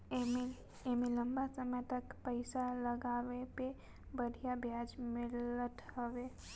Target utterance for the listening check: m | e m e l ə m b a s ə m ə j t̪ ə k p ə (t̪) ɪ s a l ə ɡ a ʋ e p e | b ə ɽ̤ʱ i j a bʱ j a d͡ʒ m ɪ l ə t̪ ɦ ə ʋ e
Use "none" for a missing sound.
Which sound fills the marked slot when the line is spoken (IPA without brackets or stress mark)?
none